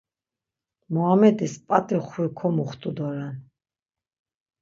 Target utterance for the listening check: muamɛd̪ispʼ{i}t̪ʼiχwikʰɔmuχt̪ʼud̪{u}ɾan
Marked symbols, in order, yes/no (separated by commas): no, no